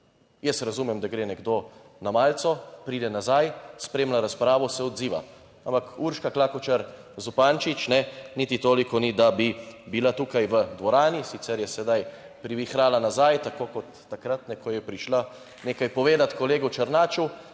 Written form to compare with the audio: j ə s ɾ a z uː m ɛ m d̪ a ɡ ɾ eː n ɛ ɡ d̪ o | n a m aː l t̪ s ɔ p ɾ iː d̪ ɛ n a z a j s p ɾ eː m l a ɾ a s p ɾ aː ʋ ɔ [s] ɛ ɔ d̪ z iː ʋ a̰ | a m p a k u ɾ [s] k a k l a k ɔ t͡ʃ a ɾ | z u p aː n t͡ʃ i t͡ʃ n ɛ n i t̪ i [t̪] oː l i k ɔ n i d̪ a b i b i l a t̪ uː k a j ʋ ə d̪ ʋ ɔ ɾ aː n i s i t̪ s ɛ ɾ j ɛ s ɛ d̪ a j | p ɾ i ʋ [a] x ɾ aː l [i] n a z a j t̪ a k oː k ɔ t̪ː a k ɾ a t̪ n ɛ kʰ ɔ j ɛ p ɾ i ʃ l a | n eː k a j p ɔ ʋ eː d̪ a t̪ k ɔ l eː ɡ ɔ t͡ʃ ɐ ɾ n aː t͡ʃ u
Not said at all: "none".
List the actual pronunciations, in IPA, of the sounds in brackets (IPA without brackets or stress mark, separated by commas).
s, ʃ, t̪, i, a